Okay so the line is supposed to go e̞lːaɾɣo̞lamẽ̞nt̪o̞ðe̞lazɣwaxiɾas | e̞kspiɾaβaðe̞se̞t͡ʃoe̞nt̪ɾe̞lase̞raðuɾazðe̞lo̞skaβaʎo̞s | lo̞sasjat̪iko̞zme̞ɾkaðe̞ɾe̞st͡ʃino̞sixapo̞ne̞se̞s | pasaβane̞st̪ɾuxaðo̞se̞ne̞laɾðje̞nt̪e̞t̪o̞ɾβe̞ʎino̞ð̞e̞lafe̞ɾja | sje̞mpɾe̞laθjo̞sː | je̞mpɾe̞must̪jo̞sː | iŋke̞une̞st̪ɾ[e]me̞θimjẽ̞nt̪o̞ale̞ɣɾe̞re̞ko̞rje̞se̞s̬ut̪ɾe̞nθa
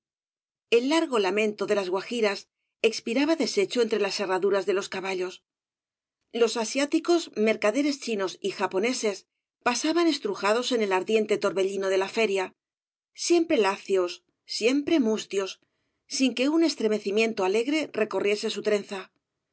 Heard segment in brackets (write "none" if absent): e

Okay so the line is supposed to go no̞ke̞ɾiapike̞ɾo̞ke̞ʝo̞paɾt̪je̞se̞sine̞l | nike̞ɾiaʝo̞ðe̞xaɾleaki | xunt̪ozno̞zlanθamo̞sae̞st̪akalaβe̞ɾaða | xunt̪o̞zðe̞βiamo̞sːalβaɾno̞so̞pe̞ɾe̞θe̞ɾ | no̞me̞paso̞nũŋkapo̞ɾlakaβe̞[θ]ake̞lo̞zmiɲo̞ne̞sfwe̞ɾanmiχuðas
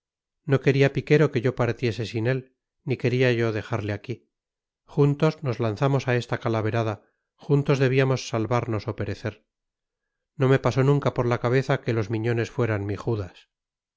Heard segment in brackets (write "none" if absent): θ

